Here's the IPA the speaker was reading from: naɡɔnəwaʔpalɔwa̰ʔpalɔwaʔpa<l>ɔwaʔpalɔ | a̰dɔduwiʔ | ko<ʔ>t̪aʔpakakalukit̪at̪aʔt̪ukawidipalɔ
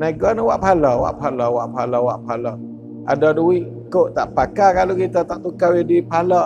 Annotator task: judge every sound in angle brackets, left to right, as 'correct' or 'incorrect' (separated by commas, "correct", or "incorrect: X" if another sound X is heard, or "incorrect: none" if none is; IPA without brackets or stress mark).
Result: correct, correct